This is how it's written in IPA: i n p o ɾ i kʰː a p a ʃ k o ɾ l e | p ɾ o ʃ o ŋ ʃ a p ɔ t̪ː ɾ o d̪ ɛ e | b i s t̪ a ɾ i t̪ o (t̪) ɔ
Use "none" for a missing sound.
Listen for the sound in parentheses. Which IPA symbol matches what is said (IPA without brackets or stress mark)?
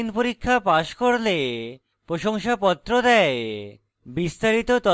t̪